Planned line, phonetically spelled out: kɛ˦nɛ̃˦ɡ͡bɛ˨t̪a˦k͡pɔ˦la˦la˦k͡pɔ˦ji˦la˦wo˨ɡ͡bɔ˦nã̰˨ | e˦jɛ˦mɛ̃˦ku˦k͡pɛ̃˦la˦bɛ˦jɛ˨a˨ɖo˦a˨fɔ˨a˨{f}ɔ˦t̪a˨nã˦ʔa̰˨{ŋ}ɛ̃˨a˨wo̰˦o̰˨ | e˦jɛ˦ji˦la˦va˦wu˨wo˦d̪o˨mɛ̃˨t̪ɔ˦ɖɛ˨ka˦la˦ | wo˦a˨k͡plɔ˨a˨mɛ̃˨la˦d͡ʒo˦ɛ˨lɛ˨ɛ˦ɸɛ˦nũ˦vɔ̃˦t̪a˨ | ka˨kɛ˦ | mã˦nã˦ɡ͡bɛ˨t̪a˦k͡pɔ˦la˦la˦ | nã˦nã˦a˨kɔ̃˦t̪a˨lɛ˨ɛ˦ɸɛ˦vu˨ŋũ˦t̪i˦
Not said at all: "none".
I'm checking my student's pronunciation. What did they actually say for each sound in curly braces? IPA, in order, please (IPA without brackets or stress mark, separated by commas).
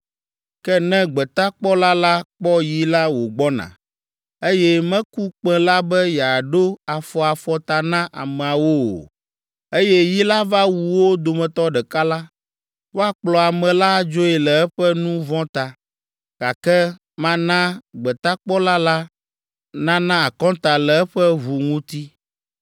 f, m